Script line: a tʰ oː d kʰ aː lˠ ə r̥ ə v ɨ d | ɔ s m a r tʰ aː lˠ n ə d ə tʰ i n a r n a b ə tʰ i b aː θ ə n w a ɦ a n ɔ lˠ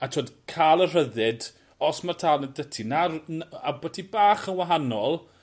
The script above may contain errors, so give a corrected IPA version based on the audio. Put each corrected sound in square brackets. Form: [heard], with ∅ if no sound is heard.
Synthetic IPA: a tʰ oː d kʰ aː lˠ ə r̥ ə [ð] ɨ d | ɔ s m a r tʰ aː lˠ n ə d ə tʰ i n a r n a b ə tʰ i b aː [χ] ə n w a ɦ a n ɔ lˠ